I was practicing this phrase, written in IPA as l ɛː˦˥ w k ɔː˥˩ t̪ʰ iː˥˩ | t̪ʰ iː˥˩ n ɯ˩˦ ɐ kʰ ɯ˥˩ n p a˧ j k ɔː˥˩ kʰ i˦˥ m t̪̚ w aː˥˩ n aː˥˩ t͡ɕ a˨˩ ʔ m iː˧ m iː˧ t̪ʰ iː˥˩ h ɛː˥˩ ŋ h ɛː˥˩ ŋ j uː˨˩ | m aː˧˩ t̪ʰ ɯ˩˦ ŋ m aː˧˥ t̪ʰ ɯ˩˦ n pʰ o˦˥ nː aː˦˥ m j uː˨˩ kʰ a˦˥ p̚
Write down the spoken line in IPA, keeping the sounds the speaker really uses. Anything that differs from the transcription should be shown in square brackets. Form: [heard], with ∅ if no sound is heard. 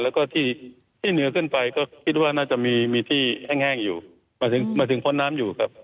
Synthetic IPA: l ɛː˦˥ w k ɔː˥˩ t̪ʰ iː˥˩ | t̪ʰ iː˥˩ n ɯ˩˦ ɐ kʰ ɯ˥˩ n p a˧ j k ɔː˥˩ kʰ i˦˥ [∅] t̪̚ w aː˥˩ n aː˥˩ t͡ɕ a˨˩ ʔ m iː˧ m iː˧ t̪ʰ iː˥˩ h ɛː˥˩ ŋ h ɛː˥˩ ŋ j uː˨˩ | m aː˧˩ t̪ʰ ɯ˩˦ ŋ m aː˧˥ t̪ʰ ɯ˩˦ [ŋ] pʰ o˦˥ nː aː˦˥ m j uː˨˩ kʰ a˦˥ p̚